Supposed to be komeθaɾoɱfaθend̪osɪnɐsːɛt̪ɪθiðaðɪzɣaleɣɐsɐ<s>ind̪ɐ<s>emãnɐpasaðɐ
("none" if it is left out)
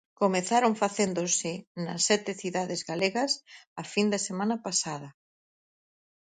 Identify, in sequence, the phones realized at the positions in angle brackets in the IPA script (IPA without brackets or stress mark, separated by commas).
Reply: f, s